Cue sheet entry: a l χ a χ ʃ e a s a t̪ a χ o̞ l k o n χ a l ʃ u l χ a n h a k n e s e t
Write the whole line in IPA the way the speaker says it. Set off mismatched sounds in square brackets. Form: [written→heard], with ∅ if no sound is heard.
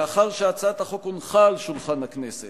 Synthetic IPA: a [l→∅] χ a [χ→ʁ] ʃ e a [s→t͡s] a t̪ a χ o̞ [l→∅] k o n χ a l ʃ u l χ a n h a k n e s e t